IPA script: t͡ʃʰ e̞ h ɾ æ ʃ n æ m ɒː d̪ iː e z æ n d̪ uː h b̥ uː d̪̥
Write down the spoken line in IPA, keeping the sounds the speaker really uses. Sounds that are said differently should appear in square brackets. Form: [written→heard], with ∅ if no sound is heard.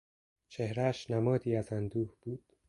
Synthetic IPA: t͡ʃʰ e̞ h ɾ æ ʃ n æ m ɒː d̪ iː [e→æ] z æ n d̪ uː h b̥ uː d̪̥